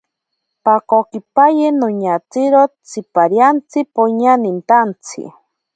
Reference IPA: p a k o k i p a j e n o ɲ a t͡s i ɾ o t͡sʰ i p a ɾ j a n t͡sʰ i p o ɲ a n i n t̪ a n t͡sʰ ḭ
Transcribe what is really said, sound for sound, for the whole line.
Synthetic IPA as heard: p a k o k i p a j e n o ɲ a t͡s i ɾ o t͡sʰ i p a ɾ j a n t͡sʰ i p o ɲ a n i n t̪ a n t͡sʰ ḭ